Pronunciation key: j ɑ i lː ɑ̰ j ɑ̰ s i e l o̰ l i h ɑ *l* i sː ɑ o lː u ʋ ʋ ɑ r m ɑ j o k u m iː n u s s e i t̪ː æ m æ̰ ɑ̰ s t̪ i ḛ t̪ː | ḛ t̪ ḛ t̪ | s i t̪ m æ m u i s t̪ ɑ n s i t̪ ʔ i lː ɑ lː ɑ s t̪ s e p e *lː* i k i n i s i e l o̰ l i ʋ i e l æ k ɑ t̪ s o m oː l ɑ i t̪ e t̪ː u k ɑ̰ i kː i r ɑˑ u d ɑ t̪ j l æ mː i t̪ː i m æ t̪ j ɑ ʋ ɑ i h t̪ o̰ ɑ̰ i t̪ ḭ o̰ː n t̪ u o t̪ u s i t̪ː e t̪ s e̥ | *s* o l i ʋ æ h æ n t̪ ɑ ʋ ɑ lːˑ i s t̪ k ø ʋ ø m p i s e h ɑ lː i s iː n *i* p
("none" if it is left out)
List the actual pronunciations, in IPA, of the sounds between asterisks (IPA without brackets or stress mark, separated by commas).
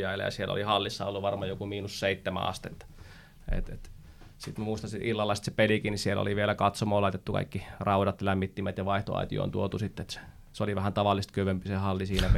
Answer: lː, l, s, æ